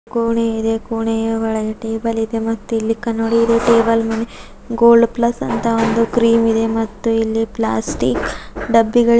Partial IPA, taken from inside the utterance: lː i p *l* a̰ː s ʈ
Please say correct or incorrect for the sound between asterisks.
correct